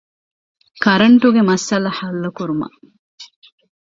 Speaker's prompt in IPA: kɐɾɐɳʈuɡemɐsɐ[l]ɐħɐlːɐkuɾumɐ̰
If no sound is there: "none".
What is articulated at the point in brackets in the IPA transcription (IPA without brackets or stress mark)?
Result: l